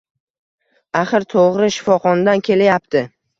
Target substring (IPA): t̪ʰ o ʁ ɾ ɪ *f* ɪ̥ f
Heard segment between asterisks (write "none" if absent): ʃ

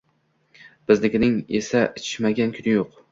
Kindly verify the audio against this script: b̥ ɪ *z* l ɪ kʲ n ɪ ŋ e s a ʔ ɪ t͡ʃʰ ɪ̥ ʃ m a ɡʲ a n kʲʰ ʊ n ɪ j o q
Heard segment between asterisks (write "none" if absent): z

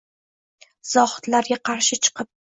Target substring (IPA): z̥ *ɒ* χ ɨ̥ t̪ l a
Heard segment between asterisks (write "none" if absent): ɒ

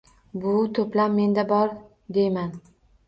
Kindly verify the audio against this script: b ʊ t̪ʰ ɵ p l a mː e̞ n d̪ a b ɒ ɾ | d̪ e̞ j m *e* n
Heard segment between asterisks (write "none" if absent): a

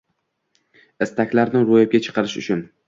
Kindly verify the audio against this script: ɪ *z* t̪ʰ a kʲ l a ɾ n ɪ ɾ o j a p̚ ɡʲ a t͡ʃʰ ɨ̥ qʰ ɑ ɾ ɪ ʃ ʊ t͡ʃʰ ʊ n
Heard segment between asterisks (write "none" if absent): s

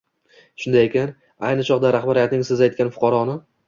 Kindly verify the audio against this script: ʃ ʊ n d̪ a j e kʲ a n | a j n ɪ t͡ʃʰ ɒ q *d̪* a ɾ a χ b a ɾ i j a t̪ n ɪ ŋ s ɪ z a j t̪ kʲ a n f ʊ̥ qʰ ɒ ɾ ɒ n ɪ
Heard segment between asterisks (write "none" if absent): d̪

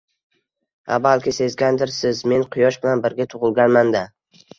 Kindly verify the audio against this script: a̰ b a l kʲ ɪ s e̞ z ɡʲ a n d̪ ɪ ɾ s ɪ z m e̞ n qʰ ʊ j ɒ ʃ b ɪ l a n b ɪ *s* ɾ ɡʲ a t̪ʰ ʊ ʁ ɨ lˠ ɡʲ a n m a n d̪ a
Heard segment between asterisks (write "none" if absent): none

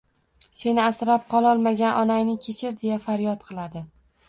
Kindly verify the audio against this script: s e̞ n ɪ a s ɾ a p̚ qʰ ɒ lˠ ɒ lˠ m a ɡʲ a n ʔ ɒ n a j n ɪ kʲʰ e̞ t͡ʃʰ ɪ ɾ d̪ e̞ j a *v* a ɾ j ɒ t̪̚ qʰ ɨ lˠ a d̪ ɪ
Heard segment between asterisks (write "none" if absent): f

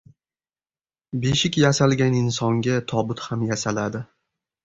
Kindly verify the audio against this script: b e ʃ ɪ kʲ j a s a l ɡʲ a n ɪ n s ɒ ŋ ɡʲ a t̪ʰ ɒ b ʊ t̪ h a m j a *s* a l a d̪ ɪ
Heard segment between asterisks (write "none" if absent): s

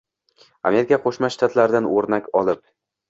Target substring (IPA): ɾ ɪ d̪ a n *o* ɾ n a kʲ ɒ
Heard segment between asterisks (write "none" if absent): o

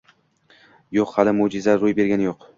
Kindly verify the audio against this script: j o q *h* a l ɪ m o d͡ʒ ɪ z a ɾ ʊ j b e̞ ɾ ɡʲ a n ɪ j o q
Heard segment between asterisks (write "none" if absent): h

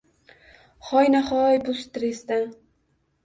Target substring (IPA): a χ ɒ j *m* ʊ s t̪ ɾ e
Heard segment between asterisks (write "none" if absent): b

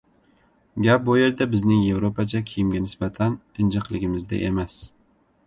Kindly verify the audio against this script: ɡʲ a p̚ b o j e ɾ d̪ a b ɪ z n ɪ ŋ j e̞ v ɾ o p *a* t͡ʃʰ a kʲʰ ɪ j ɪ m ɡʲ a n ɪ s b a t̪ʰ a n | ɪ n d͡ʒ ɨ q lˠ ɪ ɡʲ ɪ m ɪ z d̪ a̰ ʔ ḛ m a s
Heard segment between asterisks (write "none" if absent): a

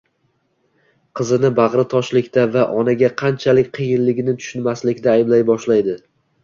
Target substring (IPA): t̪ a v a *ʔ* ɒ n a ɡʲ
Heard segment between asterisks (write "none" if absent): ʔ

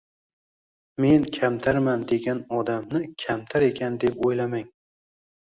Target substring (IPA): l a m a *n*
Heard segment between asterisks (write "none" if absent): ŋ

